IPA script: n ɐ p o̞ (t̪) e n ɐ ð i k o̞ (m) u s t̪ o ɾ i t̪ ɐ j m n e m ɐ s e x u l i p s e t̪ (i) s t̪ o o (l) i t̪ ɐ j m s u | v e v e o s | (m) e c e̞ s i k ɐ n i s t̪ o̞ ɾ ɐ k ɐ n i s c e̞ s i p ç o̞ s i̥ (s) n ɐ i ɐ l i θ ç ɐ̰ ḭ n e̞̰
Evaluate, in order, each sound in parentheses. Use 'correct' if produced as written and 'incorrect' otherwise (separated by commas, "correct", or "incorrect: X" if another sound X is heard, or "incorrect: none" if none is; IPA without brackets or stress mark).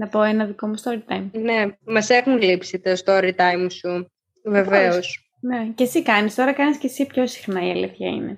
incorrect: none, correct, incorrect: e, incorrect: ɾ, incorrect: n, incorrect: x